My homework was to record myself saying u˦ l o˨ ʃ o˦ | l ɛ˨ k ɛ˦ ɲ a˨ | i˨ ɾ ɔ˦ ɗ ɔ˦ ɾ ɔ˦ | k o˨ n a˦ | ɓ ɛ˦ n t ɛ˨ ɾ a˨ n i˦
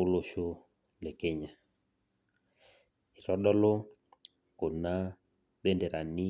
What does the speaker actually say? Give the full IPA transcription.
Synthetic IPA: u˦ l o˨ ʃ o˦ | l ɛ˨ k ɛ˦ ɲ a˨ | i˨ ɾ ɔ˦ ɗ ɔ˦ l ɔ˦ | k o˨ n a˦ | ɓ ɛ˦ n d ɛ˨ ɾ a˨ n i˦